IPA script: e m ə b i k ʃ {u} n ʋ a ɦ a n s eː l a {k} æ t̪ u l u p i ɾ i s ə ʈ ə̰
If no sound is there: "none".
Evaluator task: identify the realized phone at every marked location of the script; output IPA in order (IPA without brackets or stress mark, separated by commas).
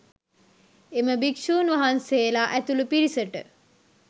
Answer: uː, ʔ